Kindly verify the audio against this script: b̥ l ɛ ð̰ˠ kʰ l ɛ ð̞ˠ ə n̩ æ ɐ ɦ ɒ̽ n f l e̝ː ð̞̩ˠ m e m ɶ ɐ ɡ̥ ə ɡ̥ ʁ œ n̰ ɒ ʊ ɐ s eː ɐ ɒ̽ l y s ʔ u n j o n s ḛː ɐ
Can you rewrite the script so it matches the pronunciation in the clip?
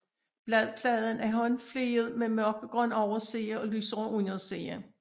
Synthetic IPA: b̥ l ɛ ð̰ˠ pʰ l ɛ ð̞ˠ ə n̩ æ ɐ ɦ ɒ̽ n f l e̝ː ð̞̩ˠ m e m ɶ ɐ ɡ̥ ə ɡ̥ ʁ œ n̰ ɒ ʊ ɐ s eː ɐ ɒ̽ l y s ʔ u n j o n s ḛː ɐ